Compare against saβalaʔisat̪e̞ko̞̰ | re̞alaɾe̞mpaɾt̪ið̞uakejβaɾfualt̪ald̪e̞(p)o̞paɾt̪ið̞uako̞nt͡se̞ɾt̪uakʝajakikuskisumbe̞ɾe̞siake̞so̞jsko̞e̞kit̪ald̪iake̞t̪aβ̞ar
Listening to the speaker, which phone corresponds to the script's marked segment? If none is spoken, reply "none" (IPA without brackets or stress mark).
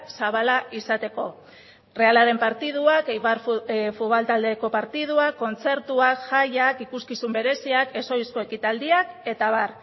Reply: k